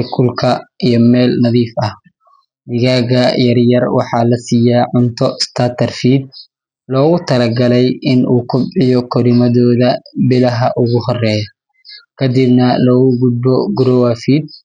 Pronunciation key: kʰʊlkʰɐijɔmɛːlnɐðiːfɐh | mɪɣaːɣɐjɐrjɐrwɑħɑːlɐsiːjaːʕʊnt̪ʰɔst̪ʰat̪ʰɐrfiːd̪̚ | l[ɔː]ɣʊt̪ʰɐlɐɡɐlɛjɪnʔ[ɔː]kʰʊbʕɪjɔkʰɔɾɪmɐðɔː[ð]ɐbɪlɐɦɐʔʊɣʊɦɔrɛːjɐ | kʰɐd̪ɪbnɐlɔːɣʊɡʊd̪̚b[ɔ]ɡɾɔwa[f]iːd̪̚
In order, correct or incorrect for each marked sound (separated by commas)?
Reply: correct, incorrect, correct, correct, correct